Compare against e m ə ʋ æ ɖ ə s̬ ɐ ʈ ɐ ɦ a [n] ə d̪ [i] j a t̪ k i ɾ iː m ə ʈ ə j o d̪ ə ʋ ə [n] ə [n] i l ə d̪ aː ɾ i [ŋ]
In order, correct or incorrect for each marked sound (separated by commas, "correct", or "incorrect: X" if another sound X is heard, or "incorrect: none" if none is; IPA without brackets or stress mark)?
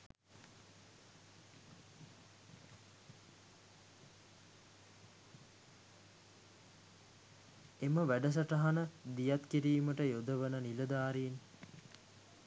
correct, correct, correct, correct, incorrect: n